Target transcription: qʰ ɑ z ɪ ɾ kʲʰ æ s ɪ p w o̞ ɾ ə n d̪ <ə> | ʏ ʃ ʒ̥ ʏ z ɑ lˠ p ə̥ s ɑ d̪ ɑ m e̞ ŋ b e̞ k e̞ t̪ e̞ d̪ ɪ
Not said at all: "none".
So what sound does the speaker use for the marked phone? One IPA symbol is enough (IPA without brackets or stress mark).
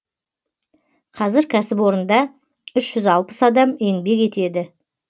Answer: ɑ